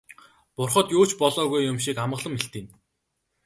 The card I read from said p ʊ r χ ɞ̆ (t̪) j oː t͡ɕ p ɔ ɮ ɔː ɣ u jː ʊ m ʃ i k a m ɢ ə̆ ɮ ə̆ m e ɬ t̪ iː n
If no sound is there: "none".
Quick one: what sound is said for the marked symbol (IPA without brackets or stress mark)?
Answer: t̪